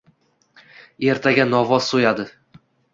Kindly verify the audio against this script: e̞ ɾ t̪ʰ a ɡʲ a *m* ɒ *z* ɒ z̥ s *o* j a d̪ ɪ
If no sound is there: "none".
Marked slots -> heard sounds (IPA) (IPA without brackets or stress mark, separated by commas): n, v, o